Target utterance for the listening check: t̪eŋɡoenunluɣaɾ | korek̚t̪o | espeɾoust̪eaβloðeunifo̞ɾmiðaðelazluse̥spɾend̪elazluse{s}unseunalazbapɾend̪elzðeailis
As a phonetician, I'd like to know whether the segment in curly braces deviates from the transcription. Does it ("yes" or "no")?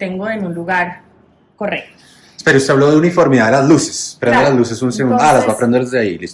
no